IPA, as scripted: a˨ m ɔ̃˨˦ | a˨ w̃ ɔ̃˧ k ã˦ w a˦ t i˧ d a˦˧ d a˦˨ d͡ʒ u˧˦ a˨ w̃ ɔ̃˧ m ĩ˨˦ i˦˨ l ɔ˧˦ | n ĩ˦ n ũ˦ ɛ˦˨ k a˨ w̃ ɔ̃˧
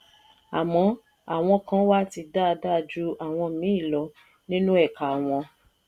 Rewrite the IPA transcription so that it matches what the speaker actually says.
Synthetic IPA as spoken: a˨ m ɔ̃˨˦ | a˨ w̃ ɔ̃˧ k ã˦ w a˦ t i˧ d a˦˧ d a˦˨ d͡ʒ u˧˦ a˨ w̃ ɔ̃˧ m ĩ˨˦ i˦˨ l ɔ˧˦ | n ĩ˦ n ũ˦ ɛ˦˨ k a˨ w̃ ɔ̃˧